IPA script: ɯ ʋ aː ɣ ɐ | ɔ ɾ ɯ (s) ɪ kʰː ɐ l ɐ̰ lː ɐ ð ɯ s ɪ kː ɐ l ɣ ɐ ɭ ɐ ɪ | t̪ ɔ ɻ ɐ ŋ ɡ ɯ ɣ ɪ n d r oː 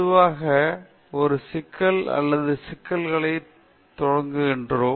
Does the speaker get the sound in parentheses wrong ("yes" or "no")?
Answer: no